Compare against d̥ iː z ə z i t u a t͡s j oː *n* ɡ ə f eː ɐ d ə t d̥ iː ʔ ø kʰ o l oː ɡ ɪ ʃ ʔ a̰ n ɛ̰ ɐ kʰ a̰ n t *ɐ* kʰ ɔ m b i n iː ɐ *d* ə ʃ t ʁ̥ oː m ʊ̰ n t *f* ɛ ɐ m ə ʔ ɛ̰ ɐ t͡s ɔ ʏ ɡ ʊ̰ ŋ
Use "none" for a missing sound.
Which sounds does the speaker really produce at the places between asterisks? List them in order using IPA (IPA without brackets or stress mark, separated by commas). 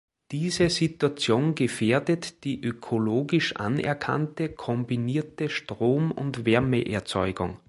n, ə, t, v